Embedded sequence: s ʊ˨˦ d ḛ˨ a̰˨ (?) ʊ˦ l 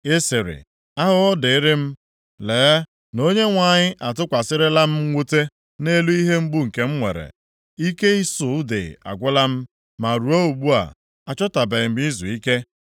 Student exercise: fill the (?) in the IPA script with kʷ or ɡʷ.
ɡʷ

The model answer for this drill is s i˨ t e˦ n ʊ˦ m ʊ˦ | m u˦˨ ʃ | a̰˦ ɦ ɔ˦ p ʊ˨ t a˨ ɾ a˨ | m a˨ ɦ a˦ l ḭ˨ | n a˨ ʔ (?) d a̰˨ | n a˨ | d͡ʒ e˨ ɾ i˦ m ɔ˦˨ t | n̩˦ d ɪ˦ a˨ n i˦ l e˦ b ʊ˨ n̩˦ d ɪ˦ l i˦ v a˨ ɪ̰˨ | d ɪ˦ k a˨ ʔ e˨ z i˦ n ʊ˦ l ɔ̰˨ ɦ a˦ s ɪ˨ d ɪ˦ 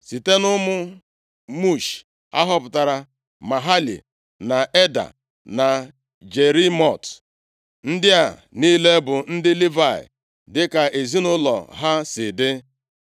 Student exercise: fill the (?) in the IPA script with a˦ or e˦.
e˦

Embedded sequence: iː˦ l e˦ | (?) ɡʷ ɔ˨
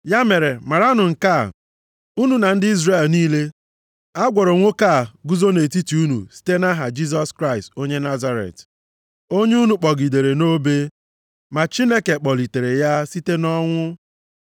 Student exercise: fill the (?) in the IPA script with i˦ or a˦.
a˦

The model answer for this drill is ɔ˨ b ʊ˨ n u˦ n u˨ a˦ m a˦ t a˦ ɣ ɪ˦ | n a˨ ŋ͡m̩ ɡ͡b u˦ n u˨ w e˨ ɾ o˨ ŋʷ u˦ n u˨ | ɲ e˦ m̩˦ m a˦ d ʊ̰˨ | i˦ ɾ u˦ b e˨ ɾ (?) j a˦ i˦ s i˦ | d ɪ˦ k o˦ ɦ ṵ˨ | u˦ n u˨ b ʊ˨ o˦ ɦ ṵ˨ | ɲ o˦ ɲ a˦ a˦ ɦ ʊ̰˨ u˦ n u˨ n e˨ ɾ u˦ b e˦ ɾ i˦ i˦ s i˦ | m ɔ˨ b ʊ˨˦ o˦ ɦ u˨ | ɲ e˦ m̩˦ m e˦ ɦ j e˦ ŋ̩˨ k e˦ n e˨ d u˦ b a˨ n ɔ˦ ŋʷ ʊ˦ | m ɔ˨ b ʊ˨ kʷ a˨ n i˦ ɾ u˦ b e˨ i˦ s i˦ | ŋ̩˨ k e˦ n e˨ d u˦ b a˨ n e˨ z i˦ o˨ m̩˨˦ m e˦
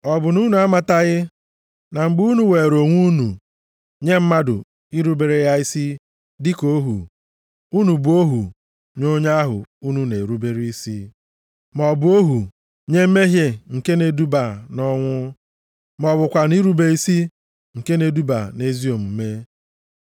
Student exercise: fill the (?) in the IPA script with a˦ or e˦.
e˦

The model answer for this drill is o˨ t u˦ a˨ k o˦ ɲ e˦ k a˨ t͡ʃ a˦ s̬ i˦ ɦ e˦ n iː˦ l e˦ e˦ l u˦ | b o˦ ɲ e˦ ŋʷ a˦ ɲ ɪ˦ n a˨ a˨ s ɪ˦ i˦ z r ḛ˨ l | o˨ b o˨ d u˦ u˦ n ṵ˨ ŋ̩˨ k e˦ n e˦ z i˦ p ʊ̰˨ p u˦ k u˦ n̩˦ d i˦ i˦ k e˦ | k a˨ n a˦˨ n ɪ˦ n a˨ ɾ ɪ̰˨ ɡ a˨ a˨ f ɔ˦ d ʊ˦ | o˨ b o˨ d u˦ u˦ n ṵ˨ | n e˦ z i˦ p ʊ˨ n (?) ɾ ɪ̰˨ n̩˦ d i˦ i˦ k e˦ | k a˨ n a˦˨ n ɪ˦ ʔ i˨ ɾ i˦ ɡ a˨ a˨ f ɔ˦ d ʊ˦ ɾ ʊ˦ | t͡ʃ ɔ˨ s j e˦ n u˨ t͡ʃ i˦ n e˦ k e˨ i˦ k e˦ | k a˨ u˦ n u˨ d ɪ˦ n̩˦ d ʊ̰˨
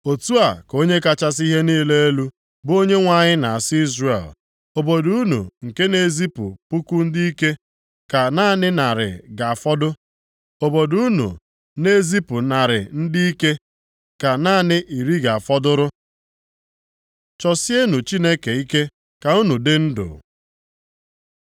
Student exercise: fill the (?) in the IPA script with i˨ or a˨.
a˨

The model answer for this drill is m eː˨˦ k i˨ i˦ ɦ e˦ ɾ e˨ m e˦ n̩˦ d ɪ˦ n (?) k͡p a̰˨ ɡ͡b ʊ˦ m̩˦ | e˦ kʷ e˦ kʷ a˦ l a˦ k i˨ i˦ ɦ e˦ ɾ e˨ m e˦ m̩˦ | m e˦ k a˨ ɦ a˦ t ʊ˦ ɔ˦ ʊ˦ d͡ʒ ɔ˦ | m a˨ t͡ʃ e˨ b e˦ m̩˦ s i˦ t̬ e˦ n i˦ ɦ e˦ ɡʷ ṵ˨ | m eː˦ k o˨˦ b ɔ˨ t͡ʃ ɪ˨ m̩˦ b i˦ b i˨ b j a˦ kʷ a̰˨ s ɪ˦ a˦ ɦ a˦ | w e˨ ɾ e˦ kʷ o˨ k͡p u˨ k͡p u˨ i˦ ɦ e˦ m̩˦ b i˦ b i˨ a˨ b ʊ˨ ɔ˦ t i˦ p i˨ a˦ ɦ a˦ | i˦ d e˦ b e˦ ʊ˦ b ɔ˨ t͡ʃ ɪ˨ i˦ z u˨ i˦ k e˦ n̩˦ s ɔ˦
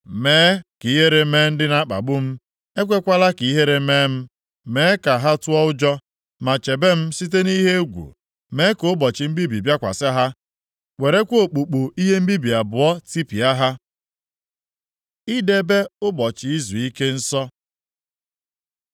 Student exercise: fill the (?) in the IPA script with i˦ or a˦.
a˦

